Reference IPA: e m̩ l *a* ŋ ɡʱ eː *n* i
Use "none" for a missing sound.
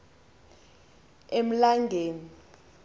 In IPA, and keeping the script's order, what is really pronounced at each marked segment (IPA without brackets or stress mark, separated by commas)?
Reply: a, n